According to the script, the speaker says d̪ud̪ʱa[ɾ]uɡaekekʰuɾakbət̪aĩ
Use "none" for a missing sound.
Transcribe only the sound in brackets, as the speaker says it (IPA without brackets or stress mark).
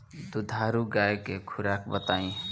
ɾ